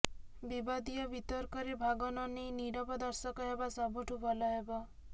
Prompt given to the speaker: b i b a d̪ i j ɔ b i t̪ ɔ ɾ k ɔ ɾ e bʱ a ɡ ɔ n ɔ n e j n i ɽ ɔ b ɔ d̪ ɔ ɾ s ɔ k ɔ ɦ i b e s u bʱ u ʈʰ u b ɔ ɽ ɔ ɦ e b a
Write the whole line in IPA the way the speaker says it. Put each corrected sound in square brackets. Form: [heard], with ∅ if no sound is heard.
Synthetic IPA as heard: b i b a d̪ i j ɔ b i t̪ ɔ ɾ k ɔ ɾ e bʱ a ɡ ɔ n ɔ n e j n i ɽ ɔ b ɔ d̪ ɔ ɾ s ɔ k ɔ ɦ [e] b [a] s [ɔ] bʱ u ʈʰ u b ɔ [l] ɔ ɦ e b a

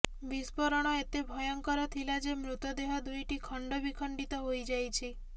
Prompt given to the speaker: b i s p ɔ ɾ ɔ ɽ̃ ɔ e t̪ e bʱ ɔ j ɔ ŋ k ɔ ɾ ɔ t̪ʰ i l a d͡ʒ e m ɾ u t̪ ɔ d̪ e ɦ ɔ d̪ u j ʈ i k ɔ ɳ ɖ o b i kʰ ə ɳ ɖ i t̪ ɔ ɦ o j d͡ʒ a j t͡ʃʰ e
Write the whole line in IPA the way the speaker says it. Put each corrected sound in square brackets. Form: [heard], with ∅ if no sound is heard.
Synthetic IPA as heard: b i s p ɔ ɾ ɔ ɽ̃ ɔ e t̪ e bʱ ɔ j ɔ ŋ k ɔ ɾ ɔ t̪ʰ i l a d͡ʒ e m ɾ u t̪ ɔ d̪ e ɦ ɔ d̪ u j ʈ i [kʰ] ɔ ɳ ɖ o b i kʰ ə ɳ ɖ i t̪ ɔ ɦ o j d͡ʒ a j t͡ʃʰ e

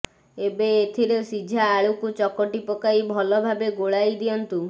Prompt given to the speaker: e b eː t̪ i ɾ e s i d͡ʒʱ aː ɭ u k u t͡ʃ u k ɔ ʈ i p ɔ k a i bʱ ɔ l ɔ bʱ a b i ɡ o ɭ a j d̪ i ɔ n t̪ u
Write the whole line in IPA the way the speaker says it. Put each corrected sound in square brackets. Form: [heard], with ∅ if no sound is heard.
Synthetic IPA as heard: e b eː [t̪ʰ] i ɾ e s i d͡ʒʱ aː ɭ u k u t͡ʃ [ɔ] k ɔ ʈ i p ɔ k a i bʱ ɔ l ɔ bʱ a b [e] ɡ o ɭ a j d̪ i ɔ n t̪ u

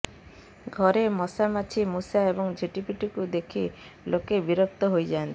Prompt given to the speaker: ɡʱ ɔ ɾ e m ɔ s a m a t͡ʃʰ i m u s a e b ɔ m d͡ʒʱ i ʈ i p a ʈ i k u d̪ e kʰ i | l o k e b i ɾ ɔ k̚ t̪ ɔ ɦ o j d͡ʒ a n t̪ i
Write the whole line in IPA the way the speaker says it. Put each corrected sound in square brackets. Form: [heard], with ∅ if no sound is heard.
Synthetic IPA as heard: ɡʱ ɔ ɾ e m ɔ s a m a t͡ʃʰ i m u s a e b ɔ [ŋ] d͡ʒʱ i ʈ i p [i] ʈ i k u d̪ e kʰ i | l o k e b i ɾ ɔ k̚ t̪ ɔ ɦ o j d͡ʒ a n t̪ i

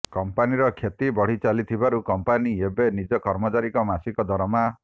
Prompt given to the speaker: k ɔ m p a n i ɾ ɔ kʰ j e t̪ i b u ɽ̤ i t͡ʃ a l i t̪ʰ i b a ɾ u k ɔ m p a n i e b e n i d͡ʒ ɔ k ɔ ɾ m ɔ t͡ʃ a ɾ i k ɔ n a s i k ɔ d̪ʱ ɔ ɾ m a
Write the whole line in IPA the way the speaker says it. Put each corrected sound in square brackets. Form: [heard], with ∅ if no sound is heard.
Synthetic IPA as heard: k ɔ m p a n i ɾ ɔ kʰ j e t̪ i b [ɔ] ɽ̤ i t͡ʃ a l i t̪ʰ i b a ɾ u k ɔ m p a n i e b e n i d͡ʒ ɔ k ɔ ɾ m ɔ t͡ʃ a ɾ i k ɔ [m] a s i k ɔ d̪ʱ ɔ ɾ m a

